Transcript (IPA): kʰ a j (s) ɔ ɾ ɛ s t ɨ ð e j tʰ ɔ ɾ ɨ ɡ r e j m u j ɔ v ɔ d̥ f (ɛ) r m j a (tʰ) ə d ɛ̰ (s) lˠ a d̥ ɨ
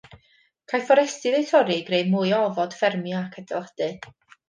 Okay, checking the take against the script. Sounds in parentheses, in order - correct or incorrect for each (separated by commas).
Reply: incorrect, correct, incorrect, incorrect